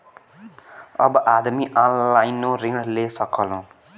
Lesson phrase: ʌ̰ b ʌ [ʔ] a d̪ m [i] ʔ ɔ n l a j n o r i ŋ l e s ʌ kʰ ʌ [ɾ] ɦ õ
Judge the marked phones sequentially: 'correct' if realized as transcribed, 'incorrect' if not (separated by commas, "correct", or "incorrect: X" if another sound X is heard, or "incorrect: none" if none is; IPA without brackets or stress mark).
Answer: correct, correct, incorrect: l